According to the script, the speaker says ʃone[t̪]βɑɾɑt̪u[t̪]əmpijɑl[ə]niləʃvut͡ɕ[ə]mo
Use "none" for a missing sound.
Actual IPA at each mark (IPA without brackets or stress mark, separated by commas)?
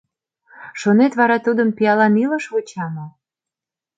t̪, d̪, ɑ, ɑ